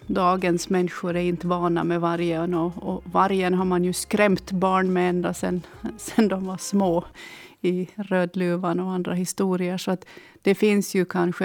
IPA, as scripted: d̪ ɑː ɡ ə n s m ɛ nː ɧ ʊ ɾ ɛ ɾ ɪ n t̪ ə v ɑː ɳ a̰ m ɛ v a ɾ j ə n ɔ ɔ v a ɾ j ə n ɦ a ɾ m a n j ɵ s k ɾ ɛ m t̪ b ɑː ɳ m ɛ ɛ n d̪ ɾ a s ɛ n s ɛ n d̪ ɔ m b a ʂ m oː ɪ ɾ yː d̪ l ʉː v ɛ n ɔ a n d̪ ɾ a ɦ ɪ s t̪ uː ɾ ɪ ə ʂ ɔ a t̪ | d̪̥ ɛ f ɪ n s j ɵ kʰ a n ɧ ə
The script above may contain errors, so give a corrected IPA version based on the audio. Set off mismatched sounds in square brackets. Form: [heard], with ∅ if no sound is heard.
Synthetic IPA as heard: d̪ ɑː ɡ ə n s m ɛ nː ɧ ʊ ɾ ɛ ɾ ɪ n t̪ ə v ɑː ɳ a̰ m ɛ v a ɾ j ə n ɔ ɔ v a ɾ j ə n ɦ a ɾ m a n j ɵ s k ɾ ɛ m t̪ b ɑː ɳ m ɛ ɛ n d̪ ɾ a s ɛ n s ɛ n d̪ ɔ m [v] a ʂ m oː ɪ ɾ [øː] d̪ l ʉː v [a] n ɔ a n d̪ ɾ a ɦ ɪ s t̪ uː ɾ ɪ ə ʂ ɔ a t̪ | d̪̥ ɛ f ɪ n s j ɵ kʰ a n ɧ ə